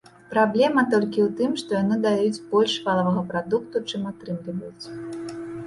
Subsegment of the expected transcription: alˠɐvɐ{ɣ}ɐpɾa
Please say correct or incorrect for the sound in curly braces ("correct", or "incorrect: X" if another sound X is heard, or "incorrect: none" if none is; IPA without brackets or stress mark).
correct